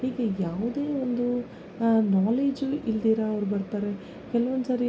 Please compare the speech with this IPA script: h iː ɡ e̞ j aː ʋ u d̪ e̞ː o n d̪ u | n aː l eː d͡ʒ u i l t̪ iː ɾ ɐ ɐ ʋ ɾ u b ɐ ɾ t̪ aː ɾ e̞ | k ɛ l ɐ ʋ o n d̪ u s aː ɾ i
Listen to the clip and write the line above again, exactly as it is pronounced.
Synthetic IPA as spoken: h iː ɡ e̞ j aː ʋ u d̪ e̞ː o n d̪ u | n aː l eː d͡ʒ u i l d̪ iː ɾ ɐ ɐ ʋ ɾ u b ɐ ɾ t̪ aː ɾ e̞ | k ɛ l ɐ ʋ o n d̪ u s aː ɾ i